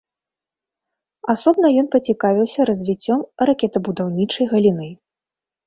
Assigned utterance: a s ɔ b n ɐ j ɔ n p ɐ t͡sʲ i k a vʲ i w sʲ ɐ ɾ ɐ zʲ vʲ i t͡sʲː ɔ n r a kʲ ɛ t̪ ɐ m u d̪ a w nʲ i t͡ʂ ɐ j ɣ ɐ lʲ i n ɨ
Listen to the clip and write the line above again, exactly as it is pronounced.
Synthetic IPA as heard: a s ɔ b n ɐ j ɔ n p ɐ t͡sʲ i k a vʲ i w sʲ ɐ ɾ ɐ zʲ vʲ i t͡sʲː ɔ m r a kʲ ɛ t̪ ɐ b u d̪ a w nʲ i t͡ʂ ɐ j ɣ ɐ lʲ i n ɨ